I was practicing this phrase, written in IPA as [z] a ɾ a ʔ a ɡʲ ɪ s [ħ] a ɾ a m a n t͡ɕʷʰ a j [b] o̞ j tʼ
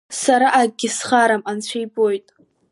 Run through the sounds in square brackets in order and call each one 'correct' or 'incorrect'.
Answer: incorrect, incorrect, correct

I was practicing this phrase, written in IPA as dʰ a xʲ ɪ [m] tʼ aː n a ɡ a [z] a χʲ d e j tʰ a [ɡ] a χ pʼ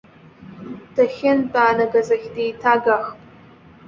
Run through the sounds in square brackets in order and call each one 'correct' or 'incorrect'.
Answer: incorrect, correct, correct

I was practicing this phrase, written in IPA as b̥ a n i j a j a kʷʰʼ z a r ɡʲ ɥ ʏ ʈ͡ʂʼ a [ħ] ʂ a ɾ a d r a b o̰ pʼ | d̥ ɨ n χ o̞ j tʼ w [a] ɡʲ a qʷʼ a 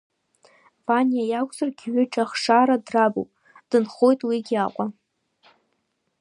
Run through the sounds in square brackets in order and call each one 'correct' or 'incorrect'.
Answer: incorrect, incorrect

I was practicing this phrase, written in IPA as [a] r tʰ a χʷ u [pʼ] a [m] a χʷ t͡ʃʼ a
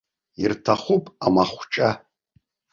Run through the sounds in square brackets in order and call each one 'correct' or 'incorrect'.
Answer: incorrect, correct, correct

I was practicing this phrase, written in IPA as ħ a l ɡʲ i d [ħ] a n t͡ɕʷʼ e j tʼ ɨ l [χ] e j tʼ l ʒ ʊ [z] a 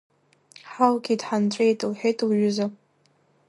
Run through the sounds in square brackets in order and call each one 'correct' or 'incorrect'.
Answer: correct, incorrect, correct

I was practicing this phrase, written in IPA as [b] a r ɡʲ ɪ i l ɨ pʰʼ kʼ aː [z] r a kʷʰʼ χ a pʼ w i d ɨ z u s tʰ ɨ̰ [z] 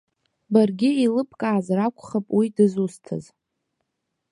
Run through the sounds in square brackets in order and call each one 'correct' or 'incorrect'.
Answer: correct, correct, correct

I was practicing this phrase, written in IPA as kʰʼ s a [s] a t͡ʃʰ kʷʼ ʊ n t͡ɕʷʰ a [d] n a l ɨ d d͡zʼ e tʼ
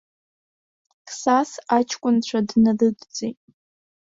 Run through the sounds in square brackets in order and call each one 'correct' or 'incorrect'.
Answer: correct, correct

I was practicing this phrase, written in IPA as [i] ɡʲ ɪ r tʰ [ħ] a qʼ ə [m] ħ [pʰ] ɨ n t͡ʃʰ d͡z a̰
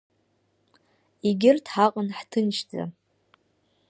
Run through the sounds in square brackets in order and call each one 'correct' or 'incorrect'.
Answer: correct, correct, incorrect, incorrect

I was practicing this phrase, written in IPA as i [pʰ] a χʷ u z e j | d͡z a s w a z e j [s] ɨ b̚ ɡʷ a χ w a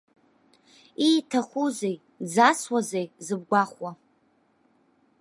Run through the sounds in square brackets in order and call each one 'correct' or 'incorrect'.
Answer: incorrect, incorrect

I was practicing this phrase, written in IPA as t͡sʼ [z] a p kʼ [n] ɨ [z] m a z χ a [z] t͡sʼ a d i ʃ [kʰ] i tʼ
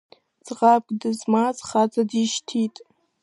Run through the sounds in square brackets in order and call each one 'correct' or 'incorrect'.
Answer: incorrect, incorrect, correct, incorrect, incorrect

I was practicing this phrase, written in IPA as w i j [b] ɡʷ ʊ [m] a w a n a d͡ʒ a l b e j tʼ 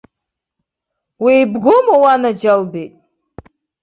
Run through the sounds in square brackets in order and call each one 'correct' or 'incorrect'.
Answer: correct, correct

